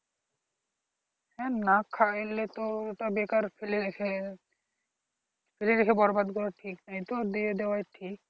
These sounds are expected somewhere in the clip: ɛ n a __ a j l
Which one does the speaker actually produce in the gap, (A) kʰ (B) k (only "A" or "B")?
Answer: A